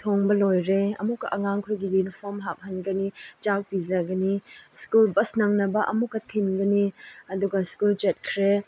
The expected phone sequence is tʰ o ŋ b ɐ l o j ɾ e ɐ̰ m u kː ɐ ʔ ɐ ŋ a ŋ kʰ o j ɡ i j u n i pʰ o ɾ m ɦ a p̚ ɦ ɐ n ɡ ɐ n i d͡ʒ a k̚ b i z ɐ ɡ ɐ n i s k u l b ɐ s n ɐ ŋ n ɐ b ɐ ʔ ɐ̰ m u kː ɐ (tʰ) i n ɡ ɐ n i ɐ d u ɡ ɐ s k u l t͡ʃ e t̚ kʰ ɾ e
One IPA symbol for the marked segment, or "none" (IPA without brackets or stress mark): tʰ